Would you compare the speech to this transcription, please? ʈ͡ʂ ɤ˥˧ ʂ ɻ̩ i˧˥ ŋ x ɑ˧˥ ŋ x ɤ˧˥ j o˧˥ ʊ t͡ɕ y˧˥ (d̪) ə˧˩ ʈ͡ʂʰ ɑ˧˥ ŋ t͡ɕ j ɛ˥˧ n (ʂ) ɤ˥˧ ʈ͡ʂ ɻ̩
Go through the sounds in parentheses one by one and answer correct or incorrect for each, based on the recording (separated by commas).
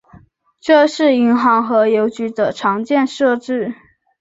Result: correct, correct